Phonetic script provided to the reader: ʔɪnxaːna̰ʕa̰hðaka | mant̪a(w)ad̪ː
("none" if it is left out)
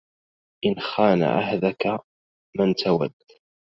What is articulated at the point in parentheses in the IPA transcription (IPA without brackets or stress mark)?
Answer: w